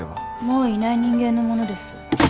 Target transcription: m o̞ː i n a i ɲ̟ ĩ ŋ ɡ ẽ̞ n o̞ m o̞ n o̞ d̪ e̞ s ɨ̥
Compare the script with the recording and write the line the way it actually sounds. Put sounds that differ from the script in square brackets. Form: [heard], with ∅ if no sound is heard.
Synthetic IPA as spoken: m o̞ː i n a i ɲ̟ ĩ ŋ ɡ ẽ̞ [nː] o̞ m o̞ n o̞ d̪ e̞ s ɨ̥